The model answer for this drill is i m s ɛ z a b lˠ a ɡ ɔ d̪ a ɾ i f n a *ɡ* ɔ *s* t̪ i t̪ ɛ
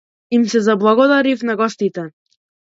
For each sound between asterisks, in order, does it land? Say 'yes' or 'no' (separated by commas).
yes, yes